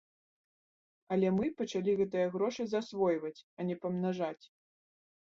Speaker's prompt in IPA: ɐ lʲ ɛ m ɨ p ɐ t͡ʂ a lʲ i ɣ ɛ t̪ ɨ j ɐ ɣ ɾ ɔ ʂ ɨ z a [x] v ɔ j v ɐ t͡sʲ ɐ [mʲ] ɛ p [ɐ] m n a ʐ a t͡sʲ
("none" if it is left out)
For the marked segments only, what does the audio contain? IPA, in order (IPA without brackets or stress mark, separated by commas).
s, nʲ, ɐ